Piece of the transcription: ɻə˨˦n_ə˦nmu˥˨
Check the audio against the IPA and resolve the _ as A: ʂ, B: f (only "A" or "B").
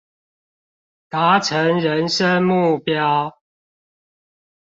A